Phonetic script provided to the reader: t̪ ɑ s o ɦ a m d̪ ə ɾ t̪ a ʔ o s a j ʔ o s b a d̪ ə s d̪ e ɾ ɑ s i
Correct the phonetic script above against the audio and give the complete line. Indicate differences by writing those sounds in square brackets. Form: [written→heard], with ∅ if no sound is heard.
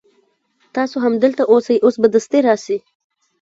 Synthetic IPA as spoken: t̪ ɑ s o ɦ a m d̪ ə [ɾ→l] t̪ a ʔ o s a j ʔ o s b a d̪ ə s [d̪→t̪] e ɾ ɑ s i